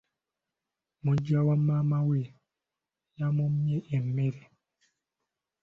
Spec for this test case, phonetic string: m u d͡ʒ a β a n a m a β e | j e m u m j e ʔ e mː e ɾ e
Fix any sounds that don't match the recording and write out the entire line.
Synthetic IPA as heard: m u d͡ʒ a w a m a m a w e | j a m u m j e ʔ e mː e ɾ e